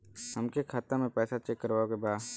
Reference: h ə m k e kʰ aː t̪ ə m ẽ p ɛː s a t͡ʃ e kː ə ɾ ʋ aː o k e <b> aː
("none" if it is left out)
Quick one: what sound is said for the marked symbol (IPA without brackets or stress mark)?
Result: b